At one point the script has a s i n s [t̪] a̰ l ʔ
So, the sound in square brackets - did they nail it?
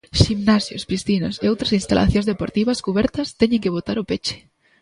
yes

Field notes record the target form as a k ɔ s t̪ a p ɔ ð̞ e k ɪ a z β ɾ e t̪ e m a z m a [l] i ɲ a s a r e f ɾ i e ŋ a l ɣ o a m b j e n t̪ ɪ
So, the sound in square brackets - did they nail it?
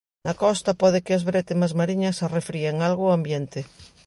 no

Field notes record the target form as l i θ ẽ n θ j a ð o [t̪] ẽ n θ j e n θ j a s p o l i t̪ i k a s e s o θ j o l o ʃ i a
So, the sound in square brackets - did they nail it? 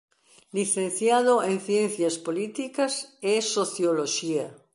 no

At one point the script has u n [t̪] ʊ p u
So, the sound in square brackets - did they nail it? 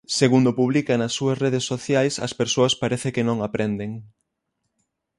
no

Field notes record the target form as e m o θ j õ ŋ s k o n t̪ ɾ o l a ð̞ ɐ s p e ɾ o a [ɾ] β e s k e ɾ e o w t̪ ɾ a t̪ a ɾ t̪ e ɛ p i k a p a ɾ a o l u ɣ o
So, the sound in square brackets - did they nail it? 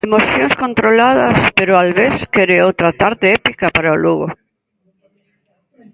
no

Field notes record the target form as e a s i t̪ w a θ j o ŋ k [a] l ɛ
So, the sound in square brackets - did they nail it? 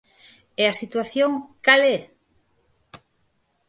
yes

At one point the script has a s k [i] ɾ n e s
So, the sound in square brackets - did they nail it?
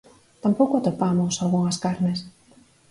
no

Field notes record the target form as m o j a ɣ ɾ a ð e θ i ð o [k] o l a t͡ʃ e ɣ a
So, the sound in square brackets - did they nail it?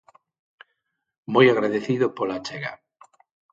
no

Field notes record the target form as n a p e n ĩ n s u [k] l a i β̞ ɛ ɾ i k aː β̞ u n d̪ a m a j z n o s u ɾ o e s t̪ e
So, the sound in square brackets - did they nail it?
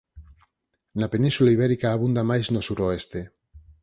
no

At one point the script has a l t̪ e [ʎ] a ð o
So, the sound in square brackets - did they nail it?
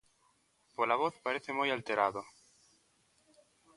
no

